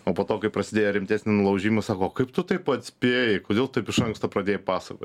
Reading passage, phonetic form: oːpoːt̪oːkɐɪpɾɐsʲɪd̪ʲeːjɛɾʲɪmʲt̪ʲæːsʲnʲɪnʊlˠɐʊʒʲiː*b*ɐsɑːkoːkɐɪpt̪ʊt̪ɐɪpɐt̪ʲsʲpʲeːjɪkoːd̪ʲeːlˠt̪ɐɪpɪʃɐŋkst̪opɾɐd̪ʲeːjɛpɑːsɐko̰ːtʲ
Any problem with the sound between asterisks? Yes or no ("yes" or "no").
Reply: yes